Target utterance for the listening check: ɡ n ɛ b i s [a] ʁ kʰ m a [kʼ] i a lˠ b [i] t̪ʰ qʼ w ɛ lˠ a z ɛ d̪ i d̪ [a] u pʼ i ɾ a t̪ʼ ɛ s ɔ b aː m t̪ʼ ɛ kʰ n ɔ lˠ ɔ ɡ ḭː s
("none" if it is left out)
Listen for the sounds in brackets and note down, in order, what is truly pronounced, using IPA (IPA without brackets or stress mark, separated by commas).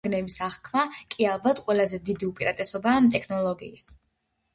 a, kʼ, a, i